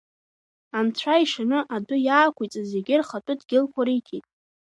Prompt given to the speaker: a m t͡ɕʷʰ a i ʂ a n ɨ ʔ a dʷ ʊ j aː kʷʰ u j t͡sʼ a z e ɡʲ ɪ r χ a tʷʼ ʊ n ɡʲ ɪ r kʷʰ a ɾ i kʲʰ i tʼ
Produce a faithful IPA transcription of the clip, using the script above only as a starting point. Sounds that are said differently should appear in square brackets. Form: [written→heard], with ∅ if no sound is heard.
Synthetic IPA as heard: a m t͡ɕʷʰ a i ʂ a n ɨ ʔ a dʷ ʊ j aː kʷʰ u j t͡sʼ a z e ɡʲ ɪ r χ a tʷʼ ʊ [n→d] ɡʲ ɪ [r→l] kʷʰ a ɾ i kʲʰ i tʼ